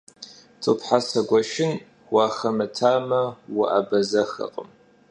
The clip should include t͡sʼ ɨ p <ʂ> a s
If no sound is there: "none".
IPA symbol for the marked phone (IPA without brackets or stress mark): ħ